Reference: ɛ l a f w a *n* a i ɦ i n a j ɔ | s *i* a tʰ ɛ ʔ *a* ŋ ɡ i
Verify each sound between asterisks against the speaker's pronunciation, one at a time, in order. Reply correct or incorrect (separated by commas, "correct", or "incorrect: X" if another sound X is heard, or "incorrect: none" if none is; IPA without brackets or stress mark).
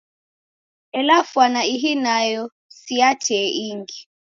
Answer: correct, correct, incorrect: i